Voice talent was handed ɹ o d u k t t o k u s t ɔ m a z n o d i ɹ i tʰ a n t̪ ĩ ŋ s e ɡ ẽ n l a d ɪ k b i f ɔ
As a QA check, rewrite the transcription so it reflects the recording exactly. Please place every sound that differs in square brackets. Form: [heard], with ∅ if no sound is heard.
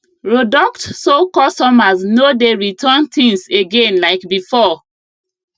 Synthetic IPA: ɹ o d [ɔ] k t [s] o k [ɔ] s t ɔ m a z n o d [e] ɹ i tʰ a n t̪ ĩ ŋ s e ɡ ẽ n l a [∅] ɪ k b i f ɔ